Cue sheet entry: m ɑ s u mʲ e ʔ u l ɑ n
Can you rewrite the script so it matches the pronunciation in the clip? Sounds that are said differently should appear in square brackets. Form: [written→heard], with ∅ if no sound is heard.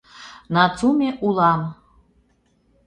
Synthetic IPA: [m→n] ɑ [s→t͡s] u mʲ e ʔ u l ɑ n